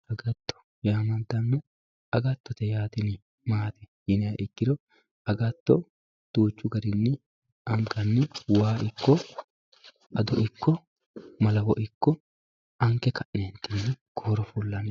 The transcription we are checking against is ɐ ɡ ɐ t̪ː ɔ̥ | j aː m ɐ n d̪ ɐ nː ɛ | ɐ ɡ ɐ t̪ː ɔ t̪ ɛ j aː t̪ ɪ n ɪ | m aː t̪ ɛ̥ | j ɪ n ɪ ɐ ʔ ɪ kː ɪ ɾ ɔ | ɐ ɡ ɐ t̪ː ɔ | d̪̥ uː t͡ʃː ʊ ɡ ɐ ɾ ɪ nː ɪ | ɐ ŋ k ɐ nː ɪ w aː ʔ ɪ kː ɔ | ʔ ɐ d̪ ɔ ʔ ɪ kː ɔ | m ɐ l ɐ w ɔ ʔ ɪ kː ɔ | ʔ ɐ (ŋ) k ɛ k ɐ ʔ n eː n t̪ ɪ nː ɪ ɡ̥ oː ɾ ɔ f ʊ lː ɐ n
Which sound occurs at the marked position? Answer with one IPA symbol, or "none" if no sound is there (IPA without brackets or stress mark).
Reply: ŋ